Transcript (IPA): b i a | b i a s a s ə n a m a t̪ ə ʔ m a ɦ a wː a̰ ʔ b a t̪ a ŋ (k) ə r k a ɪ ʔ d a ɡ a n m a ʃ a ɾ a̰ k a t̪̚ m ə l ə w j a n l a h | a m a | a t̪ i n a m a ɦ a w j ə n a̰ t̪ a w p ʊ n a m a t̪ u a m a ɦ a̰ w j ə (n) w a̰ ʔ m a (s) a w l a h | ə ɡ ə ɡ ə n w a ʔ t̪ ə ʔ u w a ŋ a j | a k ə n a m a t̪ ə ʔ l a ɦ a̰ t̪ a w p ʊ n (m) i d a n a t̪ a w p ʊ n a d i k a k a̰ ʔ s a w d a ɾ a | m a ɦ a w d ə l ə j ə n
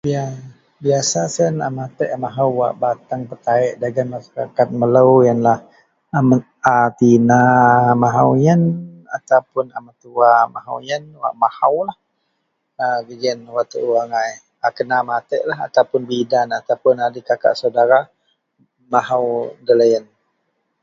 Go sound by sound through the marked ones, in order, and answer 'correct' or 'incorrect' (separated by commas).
incorrect, correct, incorrect, incorrect